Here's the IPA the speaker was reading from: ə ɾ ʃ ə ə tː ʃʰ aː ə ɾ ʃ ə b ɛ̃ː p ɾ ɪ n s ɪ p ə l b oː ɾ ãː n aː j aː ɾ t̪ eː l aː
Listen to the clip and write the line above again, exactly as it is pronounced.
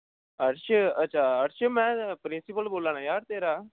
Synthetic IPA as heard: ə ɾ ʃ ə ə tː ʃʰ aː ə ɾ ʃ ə m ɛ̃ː p ɾ ɪ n s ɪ p ə l b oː l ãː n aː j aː ɾ t̪ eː ɾ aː